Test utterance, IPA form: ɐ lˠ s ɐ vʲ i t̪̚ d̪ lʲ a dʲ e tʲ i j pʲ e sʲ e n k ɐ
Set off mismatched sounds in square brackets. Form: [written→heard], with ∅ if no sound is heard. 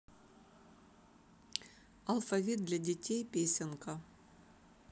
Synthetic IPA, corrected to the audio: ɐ lˠ [s→f] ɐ vʲ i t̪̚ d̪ lʲ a dʲ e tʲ [i→e] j pʲ e sʲ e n k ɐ